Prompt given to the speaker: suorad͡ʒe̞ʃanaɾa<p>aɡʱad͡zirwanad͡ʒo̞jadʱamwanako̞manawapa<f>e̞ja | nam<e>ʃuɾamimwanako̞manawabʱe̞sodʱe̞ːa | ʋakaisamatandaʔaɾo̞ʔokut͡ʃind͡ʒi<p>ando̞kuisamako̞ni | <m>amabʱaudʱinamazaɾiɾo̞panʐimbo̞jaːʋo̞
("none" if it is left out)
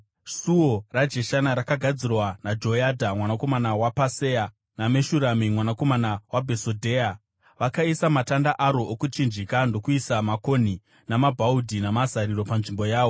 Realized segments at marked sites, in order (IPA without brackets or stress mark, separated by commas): k, s, e, k, n